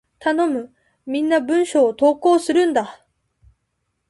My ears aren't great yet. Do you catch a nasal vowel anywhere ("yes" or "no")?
yes